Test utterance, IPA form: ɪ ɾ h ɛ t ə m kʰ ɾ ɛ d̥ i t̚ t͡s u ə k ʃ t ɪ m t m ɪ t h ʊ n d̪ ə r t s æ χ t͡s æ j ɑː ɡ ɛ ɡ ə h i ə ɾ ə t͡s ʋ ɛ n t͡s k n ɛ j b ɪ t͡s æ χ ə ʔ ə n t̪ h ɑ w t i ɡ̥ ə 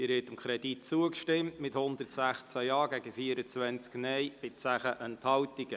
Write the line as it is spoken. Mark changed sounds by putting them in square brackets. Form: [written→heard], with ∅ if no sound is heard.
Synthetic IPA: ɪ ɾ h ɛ t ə m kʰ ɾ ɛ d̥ i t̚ t͡s u ə k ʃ t ɪ m t m ɪ t h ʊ n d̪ ə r t s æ χ t͡s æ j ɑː ɡ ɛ ɡ ə [h→f] i ə ɾ ə t͡s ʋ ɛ n t͡s k n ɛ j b ɪ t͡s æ χ ə ʔ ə n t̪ h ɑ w t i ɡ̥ ə